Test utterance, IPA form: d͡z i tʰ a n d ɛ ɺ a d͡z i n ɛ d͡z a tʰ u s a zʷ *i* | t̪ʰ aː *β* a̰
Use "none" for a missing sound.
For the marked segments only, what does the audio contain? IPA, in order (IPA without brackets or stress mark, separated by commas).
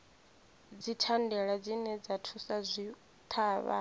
i, β